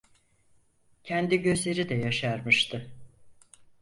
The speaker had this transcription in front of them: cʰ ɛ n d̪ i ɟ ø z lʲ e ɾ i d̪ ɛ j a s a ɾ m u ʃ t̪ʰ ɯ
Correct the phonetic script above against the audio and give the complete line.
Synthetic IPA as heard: cʰ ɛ n d̪ i ɟ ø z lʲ e ɾ i d̪ ɛ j a ʃ a ɾ m ɯ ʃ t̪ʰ ɯ